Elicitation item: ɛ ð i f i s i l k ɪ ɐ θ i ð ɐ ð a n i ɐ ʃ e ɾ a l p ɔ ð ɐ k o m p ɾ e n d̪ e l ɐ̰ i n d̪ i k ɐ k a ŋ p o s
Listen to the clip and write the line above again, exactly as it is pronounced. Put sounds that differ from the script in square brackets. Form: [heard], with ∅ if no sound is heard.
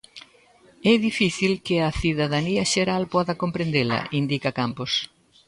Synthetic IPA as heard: ɛ ð i f i [θ] i l k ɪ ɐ θ i ð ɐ ð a n i ɐ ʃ e ɾ a l p ɔ ð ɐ k o m p ɾ e n d̪ e l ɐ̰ i n d̪ i k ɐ k a [m] p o s